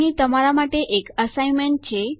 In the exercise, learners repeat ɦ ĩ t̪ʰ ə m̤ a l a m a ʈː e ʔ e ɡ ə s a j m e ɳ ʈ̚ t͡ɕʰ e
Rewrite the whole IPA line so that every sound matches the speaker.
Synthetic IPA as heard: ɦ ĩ t̪ ə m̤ a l a m a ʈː e ʔ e k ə s a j m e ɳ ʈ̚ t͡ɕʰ e

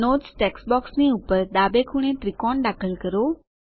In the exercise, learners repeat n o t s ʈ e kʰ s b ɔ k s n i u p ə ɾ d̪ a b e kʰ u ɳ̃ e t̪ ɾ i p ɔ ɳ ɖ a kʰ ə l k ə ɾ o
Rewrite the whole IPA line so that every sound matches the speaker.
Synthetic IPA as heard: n o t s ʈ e k s b ɔ k s n i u p ə ɾ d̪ a b e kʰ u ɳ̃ e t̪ ɾ i k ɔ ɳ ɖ a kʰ ə l k ə ɾ o

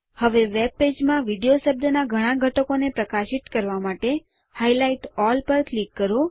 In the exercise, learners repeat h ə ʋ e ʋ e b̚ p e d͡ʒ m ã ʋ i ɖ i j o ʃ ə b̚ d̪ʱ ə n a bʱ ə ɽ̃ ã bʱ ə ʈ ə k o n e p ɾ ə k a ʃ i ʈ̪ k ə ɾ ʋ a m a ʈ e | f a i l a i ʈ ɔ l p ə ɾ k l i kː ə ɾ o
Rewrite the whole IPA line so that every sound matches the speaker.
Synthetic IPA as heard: h ə ʋ e ʋ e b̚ p e d͡ʒ m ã ʋ i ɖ i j o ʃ ə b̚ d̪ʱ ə n a ɡʱ ə ɽ̃ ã ɡʱ ə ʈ ə k o n e p ɾ ə k a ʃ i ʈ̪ k ə ɾ ʋ a m a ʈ e | h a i l a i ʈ ɔ l p ə ɾ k l i kː ə ɾ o

